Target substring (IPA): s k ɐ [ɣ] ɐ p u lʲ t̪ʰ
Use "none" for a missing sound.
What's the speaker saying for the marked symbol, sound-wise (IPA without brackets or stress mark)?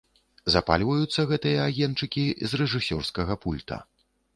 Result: ɣ